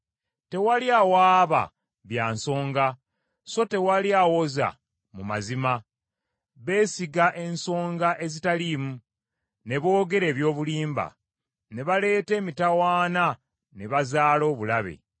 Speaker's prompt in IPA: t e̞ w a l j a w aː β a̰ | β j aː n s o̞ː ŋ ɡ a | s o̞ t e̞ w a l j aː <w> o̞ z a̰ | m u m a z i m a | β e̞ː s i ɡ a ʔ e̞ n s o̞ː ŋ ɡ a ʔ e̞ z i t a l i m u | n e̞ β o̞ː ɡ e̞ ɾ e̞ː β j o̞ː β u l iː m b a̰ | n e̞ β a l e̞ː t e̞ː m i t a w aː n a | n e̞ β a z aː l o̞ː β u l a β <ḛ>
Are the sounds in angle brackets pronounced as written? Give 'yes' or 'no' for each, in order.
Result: yes, yes

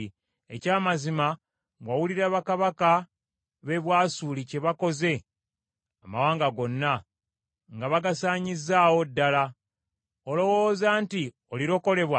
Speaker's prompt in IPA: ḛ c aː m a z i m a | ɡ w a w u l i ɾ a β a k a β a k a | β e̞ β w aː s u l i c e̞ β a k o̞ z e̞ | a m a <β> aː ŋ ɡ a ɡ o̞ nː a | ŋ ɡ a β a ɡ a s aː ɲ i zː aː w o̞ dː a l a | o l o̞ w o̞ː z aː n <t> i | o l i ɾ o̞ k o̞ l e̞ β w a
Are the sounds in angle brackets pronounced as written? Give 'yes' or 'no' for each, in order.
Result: no, yes

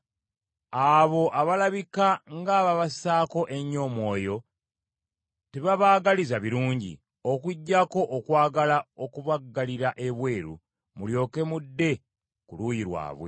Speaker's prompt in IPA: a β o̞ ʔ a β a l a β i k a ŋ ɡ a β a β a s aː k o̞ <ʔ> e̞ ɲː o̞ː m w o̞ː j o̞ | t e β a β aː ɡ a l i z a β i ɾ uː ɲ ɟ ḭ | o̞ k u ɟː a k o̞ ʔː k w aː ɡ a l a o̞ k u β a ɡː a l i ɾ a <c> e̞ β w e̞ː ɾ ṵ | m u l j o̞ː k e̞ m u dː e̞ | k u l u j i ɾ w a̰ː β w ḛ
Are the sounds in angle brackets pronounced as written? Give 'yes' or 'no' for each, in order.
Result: yes, no

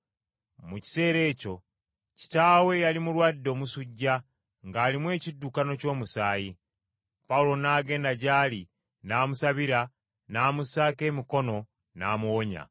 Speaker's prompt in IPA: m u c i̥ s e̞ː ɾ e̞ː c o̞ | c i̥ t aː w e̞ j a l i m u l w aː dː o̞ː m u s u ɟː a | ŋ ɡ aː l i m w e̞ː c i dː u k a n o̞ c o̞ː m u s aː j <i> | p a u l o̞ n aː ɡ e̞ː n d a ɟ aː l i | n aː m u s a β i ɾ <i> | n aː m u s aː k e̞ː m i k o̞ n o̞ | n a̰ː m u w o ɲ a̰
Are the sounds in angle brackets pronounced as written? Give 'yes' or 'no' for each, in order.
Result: yes, no

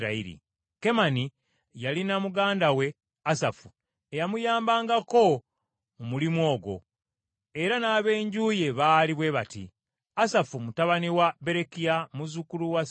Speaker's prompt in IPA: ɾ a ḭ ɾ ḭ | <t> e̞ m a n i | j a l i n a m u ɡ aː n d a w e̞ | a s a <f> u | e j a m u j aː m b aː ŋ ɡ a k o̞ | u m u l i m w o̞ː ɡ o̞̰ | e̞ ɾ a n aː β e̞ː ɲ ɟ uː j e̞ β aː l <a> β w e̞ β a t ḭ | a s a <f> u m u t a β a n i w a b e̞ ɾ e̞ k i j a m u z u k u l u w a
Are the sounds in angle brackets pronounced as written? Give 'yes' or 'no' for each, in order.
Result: no, yes, no, yes

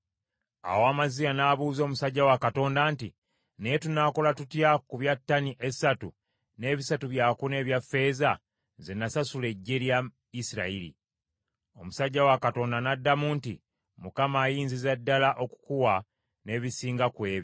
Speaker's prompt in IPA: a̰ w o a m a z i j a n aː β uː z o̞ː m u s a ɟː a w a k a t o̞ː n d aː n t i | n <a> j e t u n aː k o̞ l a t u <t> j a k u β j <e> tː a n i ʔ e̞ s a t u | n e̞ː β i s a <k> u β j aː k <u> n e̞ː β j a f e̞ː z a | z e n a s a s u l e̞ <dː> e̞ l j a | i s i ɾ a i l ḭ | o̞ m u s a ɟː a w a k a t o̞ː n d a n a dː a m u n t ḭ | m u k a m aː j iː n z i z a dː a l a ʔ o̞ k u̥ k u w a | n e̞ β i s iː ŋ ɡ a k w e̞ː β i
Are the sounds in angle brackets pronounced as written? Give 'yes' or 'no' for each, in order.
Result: no, yes, no, no, yes, no

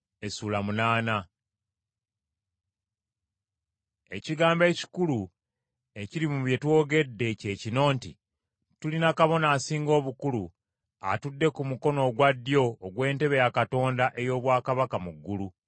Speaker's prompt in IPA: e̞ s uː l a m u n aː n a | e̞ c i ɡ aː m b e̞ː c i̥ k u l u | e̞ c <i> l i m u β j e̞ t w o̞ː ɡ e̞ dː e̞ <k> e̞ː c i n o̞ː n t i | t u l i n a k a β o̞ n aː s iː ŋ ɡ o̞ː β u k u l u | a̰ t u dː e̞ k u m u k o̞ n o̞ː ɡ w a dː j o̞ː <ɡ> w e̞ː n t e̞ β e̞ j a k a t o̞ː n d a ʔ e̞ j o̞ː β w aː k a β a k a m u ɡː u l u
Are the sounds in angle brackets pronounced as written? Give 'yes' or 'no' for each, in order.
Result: yes, no, yes

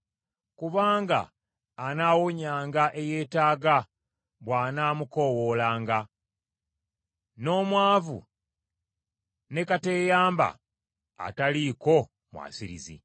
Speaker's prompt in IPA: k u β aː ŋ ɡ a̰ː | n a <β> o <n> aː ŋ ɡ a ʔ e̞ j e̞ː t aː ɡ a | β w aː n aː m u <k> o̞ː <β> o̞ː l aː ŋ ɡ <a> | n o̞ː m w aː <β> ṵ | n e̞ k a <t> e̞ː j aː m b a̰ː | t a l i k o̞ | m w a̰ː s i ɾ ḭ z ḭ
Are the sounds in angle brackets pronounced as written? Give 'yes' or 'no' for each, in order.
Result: no, no, yes, no, yes, no, yes

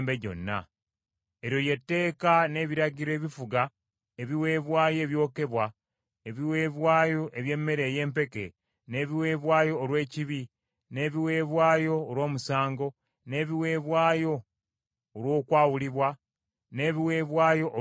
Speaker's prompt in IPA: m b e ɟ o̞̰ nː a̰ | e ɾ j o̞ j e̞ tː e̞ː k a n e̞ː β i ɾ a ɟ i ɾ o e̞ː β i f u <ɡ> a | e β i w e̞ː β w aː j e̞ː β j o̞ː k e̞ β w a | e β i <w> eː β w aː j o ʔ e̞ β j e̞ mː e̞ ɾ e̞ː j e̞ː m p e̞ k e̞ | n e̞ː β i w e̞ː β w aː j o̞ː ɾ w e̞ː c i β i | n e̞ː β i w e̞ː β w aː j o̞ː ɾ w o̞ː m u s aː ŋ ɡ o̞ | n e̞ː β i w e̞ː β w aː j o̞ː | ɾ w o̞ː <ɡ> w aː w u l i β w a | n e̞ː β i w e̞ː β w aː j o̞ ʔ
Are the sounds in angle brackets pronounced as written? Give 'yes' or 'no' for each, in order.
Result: yes, yes, no

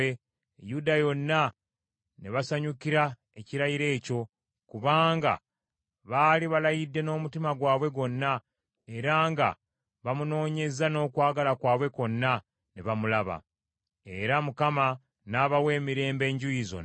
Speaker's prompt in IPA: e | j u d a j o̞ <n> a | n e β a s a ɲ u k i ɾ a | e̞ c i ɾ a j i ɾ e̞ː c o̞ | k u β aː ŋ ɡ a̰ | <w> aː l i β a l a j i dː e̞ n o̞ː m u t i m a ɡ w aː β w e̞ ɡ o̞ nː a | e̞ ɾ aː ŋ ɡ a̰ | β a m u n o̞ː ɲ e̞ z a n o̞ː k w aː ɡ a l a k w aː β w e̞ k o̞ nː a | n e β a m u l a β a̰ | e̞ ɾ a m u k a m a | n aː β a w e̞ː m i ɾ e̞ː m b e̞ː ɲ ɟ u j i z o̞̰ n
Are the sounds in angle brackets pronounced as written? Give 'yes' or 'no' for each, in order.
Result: no, no

